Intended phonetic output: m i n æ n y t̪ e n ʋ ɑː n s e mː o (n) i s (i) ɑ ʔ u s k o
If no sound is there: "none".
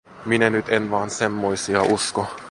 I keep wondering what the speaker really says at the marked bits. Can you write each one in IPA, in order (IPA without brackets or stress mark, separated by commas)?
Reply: none, i